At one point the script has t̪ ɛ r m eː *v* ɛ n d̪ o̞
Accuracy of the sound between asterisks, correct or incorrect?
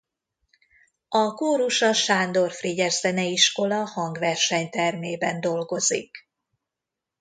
incorrect